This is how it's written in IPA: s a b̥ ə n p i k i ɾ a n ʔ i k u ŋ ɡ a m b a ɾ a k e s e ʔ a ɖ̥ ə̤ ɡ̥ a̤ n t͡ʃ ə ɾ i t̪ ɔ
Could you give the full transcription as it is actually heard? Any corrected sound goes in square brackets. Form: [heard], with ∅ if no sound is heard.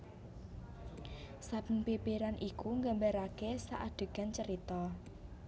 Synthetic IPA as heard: s a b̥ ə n p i [p] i ɾ a n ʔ i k u ŋ ɡ a m b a ɾ a k e s [a] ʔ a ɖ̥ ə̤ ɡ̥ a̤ n t͡ʃ ə ɾ i t̪ ɔ

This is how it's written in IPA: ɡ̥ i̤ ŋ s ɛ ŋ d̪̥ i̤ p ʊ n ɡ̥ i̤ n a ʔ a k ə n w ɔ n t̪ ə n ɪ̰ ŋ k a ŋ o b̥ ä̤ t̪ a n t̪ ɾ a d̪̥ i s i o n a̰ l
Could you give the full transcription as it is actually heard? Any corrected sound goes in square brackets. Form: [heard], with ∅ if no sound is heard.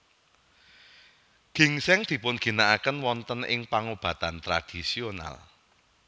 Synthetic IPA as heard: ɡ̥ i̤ ŋ s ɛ ŋ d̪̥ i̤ p ʊ n ɡ̥ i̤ n a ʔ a k ə n w ɔ n t̪ ə n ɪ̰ ŋ [p] a ŋ o b̥ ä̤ t̪ a n t̪ ɾ a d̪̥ i s i o n a̰ l

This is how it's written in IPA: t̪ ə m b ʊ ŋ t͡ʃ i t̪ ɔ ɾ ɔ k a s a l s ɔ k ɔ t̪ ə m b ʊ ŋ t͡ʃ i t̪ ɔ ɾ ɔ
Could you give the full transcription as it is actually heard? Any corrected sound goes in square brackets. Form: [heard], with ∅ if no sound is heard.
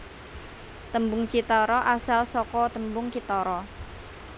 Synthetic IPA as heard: t̪ ə m b ʊ ŋ t͡ʃ i t̪ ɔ ɾ ɔ [ʔ] a s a l s ɔ k ɔ t̪ ə m b ʊ ŋ t͡ʃ i t̪ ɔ ɾ ɔ

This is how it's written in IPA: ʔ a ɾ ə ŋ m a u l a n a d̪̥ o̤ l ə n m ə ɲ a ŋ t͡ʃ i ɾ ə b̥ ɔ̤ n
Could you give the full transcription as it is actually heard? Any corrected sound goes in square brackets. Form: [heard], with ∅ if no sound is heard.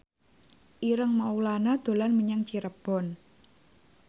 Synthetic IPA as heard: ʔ [i] ɾ ə ŋ m a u l a n a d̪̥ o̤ l [a] n m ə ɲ a ŋ t͡ʃ i ɾ ə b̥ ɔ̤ n

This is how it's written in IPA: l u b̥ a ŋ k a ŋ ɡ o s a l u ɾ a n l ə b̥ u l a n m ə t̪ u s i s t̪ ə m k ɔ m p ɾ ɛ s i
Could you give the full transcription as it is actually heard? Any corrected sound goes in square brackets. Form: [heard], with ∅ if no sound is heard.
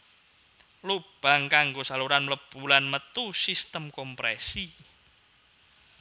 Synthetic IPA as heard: l u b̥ a ŋ k a ŋ ɡ o s a l u ɾ a n l ə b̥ u l a n m ə t̪ u s i s t̪ ə m k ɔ m p ɾ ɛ s i

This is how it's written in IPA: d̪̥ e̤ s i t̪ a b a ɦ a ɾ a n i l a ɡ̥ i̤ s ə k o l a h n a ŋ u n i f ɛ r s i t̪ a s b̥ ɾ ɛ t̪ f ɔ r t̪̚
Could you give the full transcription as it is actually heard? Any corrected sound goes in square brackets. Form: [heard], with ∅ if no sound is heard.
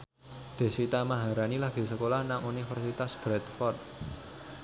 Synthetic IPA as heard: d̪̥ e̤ s i t̪ a [m] a ɦ a ɾ a n i l a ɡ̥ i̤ s ə k o l a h n a ŋ u n i f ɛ r s i t̪ a s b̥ ɾ ɛ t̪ f ɔ r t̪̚

